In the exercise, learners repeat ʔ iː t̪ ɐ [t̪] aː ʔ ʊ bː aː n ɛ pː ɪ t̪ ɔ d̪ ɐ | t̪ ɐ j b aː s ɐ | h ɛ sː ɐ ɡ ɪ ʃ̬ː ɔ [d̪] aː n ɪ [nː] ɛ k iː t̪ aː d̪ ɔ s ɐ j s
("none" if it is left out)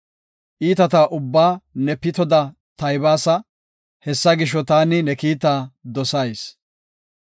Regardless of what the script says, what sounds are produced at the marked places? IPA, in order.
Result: t̪, t̪, n

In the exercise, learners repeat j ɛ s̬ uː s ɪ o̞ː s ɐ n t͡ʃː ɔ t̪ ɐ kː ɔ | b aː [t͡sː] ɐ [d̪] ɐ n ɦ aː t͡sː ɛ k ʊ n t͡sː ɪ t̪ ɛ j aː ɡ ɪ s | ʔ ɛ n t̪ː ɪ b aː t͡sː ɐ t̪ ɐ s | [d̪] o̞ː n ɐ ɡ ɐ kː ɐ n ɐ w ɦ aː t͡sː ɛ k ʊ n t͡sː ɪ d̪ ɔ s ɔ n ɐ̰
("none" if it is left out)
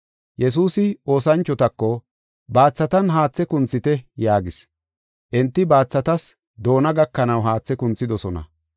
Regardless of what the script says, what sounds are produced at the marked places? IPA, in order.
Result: t͡sː, t̪, d̪

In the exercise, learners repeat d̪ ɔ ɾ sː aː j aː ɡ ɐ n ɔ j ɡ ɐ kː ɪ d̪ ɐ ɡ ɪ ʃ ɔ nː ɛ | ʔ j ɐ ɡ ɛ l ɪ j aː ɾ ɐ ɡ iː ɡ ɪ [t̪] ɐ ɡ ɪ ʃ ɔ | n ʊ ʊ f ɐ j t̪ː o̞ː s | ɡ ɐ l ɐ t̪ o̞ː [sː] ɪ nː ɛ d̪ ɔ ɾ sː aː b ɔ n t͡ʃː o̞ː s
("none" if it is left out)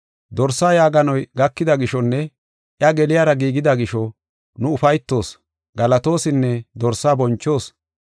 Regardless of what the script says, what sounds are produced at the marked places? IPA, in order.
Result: d̪, s

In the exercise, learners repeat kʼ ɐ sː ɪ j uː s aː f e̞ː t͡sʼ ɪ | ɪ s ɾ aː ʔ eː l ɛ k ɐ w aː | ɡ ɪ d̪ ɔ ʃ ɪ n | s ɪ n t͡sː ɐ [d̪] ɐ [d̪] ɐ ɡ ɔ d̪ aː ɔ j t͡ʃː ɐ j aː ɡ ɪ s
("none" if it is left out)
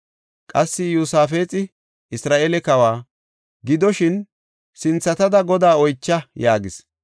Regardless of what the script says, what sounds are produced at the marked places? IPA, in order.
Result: t̪, d̪

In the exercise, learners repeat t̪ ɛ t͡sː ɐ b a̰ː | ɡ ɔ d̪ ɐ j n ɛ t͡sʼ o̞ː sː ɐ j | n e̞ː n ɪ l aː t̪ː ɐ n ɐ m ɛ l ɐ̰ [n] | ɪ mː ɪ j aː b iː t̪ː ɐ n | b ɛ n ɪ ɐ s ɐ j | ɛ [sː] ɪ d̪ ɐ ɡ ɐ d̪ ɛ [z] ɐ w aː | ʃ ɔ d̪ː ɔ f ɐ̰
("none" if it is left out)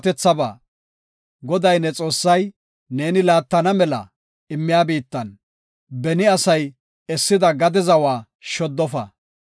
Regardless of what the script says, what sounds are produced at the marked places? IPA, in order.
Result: none, sː, z

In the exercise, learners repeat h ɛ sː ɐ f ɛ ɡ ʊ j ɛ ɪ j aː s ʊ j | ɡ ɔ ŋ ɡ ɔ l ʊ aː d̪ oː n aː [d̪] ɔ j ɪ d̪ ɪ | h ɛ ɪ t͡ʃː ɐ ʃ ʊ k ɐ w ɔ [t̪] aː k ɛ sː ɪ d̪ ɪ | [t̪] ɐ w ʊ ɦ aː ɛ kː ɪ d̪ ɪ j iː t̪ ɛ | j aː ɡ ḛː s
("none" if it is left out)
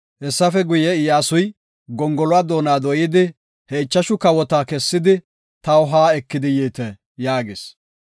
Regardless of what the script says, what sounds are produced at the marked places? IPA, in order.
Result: d̪, t̪, t̪

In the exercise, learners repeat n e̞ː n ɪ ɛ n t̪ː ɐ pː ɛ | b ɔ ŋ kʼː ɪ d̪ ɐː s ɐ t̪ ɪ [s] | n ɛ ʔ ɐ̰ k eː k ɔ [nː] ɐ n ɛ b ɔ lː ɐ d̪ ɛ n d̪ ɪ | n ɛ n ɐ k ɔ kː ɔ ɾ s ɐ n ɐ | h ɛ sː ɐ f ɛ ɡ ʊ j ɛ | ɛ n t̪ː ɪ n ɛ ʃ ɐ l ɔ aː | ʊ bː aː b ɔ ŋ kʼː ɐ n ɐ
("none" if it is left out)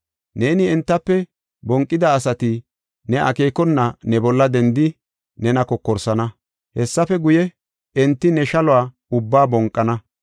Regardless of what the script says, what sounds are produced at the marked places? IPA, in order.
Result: none, nː

